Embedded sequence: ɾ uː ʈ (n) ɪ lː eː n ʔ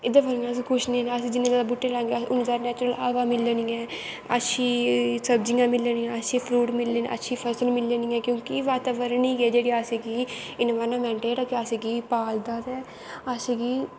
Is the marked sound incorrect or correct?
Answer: incorrect